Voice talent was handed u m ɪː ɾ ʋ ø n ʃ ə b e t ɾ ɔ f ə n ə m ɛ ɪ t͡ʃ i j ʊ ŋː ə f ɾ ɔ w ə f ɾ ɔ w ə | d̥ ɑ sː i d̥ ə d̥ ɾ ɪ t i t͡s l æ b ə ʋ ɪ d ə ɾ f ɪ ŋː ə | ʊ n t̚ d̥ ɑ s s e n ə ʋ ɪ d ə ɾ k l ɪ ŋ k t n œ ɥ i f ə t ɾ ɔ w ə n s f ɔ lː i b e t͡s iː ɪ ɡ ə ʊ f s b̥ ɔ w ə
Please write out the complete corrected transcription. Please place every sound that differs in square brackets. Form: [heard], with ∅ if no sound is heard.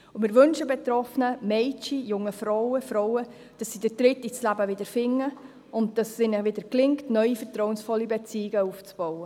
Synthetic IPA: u m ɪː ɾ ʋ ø n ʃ ə b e t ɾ ɔ f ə n ə m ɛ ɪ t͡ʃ i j ʊ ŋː ə f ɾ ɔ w ə f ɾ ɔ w ə | d̥ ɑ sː i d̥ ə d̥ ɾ ɪ t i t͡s l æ b ə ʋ ɪ d ə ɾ f ɪ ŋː ə | ʊ n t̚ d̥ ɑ s s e n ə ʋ ɪ d ə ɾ k l ɪ ŋ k t n œ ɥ i f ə t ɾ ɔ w ə n s f ɔ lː i b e t͡s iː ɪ ɡ ə [u] f [t͡s] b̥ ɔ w ə